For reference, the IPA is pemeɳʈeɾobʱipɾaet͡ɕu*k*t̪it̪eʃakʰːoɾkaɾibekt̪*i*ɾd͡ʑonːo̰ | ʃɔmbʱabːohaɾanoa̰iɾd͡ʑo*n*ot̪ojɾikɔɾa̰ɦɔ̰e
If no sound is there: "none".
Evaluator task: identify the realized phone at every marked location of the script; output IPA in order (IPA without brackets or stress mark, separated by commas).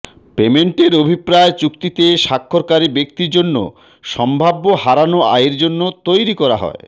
k, i, nː